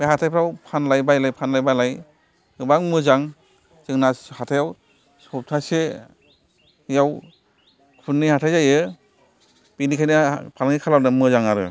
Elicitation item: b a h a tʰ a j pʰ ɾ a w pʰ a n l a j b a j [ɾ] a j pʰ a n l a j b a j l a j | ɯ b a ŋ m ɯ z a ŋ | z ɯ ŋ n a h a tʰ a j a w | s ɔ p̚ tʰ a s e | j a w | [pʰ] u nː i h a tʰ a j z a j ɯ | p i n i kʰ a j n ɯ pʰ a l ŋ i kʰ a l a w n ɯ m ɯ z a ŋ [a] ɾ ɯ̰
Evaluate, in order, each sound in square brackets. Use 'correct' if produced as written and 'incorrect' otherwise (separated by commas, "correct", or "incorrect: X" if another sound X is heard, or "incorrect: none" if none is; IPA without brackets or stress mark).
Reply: incorrect: l, incorrect: kʰ, correct